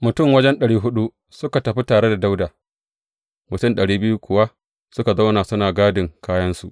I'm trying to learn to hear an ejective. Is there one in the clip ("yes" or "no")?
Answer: no